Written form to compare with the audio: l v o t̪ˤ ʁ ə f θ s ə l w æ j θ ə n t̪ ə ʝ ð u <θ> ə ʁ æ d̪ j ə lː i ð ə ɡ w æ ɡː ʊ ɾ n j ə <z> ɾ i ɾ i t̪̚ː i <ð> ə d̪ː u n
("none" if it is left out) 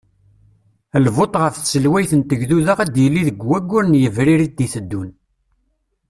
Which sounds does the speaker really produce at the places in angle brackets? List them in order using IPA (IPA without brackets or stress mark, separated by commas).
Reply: ð, v, θ